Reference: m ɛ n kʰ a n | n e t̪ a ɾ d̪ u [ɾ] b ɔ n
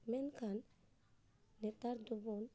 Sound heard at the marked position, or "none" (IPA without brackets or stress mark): none